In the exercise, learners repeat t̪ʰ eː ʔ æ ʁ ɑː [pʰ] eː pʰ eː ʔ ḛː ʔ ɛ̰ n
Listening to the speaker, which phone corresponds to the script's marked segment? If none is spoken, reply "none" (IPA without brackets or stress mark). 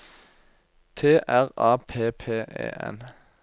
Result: pʰ